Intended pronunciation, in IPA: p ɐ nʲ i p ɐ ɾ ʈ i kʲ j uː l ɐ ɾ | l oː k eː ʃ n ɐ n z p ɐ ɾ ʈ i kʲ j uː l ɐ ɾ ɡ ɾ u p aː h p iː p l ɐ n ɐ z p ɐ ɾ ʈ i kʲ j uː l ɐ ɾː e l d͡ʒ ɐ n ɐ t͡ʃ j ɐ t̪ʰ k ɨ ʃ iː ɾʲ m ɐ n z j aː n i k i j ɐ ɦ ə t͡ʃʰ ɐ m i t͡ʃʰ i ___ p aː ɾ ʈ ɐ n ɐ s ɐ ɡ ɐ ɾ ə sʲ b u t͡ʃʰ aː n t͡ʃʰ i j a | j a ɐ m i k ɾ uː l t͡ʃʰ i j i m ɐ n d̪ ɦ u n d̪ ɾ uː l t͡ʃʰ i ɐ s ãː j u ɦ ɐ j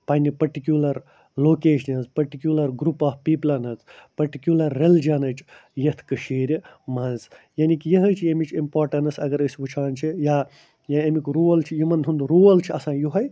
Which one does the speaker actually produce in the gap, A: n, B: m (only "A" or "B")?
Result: B